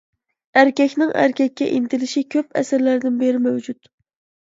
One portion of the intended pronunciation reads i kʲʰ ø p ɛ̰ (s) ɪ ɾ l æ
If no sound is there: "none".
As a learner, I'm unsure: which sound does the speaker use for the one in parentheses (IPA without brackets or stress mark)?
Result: s